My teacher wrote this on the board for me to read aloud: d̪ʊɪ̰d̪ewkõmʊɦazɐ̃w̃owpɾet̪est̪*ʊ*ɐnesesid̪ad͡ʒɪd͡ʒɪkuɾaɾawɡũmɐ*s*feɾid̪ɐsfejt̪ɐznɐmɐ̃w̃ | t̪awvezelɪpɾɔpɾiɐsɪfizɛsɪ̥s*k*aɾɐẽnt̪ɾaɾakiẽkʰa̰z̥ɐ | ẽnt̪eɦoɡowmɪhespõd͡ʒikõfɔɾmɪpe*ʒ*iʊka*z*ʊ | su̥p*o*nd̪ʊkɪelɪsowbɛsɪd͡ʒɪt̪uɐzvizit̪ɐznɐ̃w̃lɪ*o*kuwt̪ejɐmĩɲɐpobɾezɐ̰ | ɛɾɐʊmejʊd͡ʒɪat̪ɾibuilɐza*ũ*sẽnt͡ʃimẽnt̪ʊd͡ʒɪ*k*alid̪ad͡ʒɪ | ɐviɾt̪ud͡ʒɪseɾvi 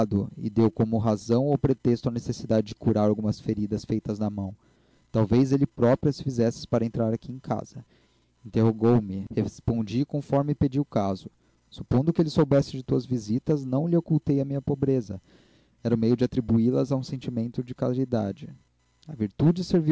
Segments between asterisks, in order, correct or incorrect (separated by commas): correct, correct, incorrect, incorrect, correct, incorrect, correct, correct, correct